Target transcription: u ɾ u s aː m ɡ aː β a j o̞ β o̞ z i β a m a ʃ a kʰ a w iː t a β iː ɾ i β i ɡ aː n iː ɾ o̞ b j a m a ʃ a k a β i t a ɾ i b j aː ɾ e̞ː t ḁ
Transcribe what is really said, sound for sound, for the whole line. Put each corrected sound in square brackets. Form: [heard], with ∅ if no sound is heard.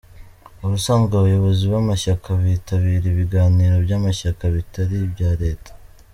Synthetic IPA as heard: u ɾ u s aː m ɡ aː β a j o̞ β o̞ z i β a m a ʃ a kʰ a [β] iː t a β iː ɾ i β i ɡ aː n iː ɾ o̞ b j a m a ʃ a k a β i t a ɾ i b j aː ɾ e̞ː t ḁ